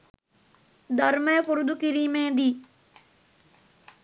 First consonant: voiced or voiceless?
voiced